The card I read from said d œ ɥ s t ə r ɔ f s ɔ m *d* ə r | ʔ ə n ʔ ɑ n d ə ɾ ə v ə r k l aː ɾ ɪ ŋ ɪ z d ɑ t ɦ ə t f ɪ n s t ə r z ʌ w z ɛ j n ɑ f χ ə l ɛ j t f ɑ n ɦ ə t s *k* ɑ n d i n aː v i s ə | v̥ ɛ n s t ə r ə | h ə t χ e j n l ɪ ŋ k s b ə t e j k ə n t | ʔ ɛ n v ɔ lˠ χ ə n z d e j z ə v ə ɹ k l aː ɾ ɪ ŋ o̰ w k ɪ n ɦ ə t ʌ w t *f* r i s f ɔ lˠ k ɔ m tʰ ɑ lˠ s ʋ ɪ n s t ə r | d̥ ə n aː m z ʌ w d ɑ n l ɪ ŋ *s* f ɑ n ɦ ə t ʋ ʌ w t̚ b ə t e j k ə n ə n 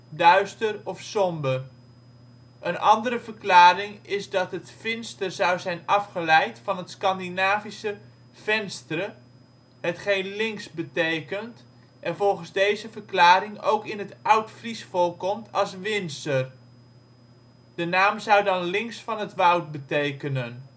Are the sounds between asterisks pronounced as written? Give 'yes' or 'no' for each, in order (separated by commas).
no, yes, yes, yes